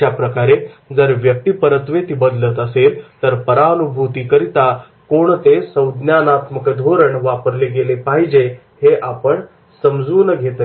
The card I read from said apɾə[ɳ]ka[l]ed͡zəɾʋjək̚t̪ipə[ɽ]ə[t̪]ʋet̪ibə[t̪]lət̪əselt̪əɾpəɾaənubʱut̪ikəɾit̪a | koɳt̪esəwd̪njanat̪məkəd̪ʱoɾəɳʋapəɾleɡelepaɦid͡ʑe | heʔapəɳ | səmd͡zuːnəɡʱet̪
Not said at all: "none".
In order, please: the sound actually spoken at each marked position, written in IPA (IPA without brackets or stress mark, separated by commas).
none, ɾ, ɾ, t̪, d̪